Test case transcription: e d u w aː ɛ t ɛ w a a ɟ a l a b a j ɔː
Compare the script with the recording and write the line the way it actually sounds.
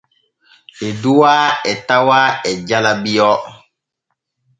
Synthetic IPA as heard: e d u w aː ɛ t a w a ɛ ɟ a l a b i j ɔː